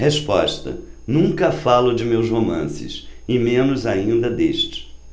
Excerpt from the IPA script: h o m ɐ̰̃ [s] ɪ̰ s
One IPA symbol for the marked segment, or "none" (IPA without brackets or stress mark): s